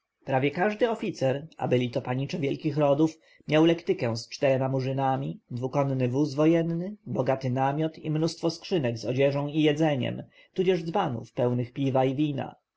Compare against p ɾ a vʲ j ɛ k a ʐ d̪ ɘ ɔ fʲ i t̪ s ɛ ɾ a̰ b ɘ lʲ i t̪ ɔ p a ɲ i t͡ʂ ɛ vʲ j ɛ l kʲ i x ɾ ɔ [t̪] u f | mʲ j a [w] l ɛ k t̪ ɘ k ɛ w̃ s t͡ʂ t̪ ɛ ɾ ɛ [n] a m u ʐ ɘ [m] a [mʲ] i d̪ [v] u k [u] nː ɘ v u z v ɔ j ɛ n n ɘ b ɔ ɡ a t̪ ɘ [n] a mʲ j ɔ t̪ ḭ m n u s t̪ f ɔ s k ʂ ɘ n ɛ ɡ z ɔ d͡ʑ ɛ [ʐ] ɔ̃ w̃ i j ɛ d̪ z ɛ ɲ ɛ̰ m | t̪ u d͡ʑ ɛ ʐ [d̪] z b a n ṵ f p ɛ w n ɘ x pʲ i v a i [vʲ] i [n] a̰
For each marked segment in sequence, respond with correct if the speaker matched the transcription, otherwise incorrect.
incorrect: d̪, correct, incorrect: m, incorrect: n, correct, correct, incorrect: ɔ, correct, correct, correct, correct, correct

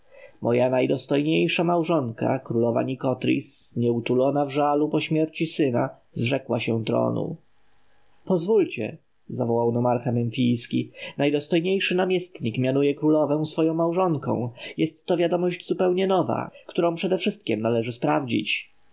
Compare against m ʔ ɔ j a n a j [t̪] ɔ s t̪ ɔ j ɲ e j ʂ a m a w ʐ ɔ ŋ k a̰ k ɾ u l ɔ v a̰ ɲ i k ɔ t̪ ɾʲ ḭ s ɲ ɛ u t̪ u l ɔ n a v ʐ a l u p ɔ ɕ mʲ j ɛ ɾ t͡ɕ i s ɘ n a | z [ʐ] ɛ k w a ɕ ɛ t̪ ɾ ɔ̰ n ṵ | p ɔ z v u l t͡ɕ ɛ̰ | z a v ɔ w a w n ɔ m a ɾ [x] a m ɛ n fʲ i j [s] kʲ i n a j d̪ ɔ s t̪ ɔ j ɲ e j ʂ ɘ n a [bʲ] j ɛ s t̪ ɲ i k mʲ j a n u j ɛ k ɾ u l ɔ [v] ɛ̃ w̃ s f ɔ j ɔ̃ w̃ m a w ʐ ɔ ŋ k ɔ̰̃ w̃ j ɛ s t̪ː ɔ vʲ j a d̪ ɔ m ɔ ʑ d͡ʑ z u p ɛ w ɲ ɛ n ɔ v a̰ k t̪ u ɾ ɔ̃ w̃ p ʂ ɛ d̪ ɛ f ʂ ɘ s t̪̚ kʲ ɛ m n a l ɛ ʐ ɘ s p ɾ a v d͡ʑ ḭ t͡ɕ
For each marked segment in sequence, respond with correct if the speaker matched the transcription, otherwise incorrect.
incorrect: d̪, correct, correct, correct, incorrect: mʲ, correct

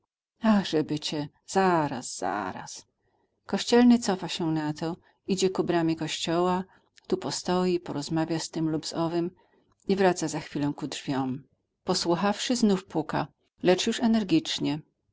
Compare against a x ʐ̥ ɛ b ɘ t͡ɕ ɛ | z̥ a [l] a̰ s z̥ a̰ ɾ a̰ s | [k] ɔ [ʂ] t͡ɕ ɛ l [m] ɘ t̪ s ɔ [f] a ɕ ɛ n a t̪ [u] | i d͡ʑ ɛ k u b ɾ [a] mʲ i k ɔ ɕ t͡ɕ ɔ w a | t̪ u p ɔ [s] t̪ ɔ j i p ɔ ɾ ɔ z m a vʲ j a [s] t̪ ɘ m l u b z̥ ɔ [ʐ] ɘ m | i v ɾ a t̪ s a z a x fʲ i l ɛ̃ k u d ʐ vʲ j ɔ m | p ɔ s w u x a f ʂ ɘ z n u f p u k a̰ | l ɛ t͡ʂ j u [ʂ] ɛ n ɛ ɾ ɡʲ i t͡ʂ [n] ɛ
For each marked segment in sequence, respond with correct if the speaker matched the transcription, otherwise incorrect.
incorrect: ɾ, correct, incorrect: ɕ, incorrect: n, correct, incorrect: ɔ, correct, correct, correct, incorrect: v, correct, incorrect: ɲ

